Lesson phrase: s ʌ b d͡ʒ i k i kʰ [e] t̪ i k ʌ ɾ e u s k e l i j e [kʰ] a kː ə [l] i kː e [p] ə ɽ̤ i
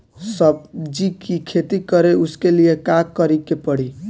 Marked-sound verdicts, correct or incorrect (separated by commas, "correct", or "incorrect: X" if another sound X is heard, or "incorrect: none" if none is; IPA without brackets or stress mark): correct, incorrect: k, incorrect: ɾ, correct